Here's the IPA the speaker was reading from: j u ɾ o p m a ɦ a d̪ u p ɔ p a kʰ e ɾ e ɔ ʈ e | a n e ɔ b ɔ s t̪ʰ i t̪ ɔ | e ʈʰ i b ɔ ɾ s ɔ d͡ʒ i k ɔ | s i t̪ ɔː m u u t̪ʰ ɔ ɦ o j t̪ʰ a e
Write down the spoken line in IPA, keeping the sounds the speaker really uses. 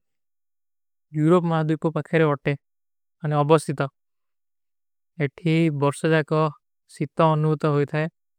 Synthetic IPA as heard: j u ɾ o p m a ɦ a d̪ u p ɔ p a kʰ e ɾ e ɔ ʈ e | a n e ɔ b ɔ s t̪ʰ i t̪ ɔ | e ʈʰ i b ɔ ɾ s ɔ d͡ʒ a k ɔ | s i t̪ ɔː n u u t̪ ɔ ɦ o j t̪ʰ a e